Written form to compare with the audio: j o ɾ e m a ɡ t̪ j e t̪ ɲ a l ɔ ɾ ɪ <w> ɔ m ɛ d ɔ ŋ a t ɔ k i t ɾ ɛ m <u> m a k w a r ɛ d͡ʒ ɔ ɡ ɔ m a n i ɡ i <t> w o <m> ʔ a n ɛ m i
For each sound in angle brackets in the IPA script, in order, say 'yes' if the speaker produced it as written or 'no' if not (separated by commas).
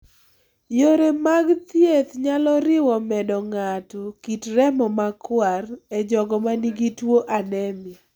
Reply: yes, no, yes, no